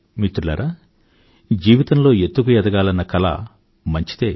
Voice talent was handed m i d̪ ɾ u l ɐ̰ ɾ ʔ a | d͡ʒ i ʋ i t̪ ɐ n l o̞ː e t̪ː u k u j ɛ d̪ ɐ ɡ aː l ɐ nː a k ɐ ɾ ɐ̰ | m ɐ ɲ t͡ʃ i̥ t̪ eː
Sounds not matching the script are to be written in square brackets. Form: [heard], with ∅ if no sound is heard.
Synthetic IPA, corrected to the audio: m i [t̪] ɾ u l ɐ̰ ɾ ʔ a | d͡ʒ [iː] ʋ i t̪ ɐ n l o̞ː e t̪ː u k u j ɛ d̪ ɐ ɡ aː l ɐ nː [ɐ] k ɐ [l] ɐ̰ | m ɐ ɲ t͡ʃ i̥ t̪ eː

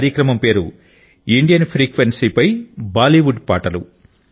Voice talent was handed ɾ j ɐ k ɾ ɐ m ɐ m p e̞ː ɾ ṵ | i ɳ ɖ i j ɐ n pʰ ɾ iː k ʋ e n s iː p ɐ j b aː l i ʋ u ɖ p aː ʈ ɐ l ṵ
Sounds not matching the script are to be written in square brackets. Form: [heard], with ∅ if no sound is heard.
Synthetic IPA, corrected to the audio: ɾ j ɐ k ɾ ɐ m ɐ m p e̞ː ɾ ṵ | i ɳ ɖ i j ɐ n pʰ ɾ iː k ʋ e n s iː p ɐ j b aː l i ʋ u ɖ p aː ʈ ɐ l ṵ

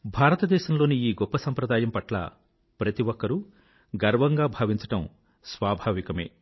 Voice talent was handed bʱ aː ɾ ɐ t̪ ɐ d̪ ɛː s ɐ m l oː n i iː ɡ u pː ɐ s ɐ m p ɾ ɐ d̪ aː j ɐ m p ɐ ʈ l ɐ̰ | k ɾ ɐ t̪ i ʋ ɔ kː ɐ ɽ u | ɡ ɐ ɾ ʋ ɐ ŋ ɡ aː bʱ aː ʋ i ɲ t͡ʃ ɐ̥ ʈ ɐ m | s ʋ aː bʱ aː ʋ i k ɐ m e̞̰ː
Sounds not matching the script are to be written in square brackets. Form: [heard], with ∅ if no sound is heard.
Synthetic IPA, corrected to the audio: bʱ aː ɾ ɐ t̪ ɐ d̪ ɛː [ʃ] ɐ m l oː n i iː ɡ [ɔ] pː ɐ s ɐ m p ɾ ɐ d̪ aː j ɐ m p ɐ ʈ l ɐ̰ | [p] ɾ ɐ t̪ i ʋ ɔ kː ɐ [ɾ] u | ɡ ɐ ɾ ʋ ɐ ŋ ɡ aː bʱ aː ʋ i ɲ t͡ʃ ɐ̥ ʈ ɐ m | s ʋ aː bʱ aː ʋ i k ɐ m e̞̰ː

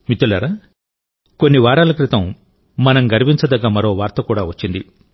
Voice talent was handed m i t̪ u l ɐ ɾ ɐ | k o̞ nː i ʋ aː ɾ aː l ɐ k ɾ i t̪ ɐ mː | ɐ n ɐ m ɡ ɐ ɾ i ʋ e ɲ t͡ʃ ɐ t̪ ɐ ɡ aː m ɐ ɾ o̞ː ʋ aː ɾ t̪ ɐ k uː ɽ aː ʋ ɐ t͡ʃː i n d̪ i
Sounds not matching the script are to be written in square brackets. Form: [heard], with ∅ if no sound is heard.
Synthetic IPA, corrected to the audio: m i t̪ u l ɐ ɾ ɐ | k o̞ nː i ʋ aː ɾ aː l ɐ k ɾ i t̪ ɐ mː | ɐ n ɐ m ɡ ɐ ɾ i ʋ [i] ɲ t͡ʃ ɐ [d̪] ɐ ɡ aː m ɐ ɾ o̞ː ʋ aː ɾ t̪ ɐ k uː ɽ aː ʋ ɐ t͡ʃː i n d̪ i

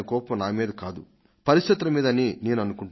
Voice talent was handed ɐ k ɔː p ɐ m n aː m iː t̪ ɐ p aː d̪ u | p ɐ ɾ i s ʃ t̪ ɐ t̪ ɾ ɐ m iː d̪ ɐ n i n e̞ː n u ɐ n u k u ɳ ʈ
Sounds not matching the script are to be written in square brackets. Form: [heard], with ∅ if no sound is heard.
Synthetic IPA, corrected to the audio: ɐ k ɔː p ɐ m n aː m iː [d̪] ɐ [k] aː d̪ u | p ɐ ɾ i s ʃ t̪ ɐ t̪ ɾ ɐ m iː d̪ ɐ n i n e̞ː n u ɐ n u k u ɳ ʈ

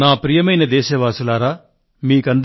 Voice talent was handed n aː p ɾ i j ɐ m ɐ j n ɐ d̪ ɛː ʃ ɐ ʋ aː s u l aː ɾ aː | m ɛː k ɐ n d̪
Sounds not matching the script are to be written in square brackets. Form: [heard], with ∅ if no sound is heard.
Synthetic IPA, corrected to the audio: n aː p ɾ i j ɐ m ɐ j n ɐ d̪ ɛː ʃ ɐ ʋ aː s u l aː ɾ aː | m [iː] k ɐ n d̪

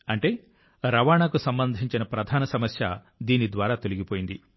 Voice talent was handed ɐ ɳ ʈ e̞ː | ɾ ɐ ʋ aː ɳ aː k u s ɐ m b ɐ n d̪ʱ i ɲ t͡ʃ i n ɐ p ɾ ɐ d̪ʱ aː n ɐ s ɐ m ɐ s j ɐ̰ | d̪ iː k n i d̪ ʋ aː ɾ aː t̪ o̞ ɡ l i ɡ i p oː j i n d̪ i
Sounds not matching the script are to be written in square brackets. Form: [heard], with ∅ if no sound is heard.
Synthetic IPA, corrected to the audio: ɐ ɳ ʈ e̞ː | ɾ ɐ ʋ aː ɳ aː k u s ɐ m b ɐ n d̪ʱ i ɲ t͡ʃ i n ɐ p ɾ ɐ d̪ʱ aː n ɐ s ɐ m ɐ s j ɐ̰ | d̪ iː [∅] n i d̪ ʋ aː ɾ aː t̪ o̞ [∅] l i ɡ i p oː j i n d̪ i

